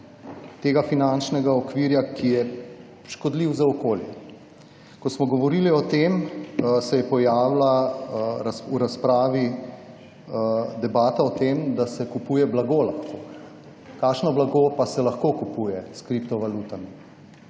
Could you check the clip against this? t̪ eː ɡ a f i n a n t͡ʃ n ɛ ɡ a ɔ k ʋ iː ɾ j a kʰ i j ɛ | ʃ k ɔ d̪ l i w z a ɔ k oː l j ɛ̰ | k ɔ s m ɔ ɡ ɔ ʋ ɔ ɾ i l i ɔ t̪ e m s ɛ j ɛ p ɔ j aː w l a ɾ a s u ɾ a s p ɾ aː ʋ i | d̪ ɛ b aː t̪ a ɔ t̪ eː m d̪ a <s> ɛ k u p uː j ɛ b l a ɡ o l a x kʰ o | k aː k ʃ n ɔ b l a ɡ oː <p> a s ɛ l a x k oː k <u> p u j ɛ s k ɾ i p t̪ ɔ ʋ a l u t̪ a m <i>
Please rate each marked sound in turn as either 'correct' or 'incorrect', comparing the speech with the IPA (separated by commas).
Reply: correct, correct, correct, correct